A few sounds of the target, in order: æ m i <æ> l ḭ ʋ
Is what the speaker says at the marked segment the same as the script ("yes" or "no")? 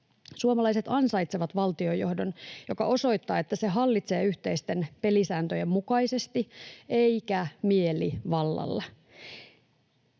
no